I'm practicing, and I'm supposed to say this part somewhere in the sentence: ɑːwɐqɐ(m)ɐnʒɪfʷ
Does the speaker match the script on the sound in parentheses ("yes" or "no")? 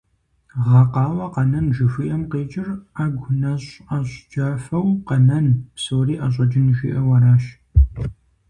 no